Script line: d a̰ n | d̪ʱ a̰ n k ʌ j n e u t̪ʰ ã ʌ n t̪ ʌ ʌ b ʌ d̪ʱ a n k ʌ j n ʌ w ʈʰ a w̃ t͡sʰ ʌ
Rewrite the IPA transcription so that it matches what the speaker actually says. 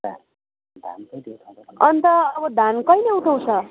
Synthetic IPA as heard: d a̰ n | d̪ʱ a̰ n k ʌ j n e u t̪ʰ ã ʌ n t̪ ʌ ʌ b ʌ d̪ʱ a n k ʌ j n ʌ u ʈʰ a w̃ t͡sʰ ʌ